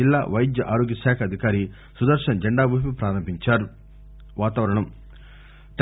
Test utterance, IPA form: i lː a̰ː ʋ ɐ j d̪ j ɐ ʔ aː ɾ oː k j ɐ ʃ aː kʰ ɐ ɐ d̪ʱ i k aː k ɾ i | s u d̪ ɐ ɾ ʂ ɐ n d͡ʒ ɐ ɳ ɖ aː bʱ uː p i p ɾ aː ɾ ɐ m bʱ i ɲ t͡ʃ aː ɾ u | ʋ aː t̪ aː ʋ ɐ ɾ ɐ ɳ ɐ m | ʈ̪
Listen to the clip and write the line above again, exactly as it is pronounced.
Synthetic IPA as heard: i lː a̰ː ʋ ɐ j d̪ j ɐ ʔ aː ɾ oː ɡ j ɐ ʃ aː kʰ ɐ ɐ d̪ʱ i k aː ɾ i | s u d̪ ɐ ɾ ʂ ɐ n d͡ʒ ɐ ɳ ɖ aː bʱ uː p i p ɾ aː ɾ ɐ m bʱ i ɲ t͡ʃ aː ɾ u | ʋ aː t̪ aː ʋ ɐ ɾ ɐ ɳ ɐ m | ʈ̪